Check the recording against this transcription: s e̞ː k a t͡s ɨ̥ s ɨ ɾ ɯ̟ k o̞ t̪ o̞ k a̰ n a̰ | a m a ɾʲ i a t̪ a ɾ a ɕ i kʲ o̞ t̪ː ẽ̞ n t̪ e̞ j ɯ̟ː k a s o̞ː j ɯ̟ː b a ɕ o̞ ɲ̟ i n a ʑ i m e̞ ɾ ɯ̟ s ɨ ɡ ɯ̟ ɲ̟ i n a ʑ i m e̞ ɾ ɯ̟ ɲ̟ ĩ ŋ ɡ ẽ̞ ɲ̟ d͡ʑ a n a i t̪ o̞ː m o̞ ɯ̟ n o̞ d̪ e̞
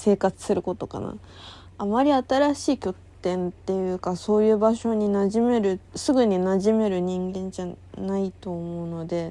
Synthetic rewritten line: s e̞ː k a t͡s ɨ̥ s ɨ ɾ ɯ̟ k o̞ t̪ o̞ k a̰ n a̰ | a m a ɾʲ i a t̪ a ɾ a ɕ iː kʲ o̞ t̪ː ẽ̞ n t̪ e̞ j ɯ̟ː k a s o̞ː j ɯ̟ː b a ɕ o̞ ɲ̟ i n a ʑ i m e̞ ɾ ɯ̟ s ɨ ɡ ɯ̟ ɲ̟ i n a ʑ i m e̞ ɾ ɯ̟ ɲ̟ ĩ ŋ ɡ ẽ̞ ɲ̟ d͡ʑ a n a i t̪ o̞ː m o̞ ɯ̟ n o̞ d̪ e̞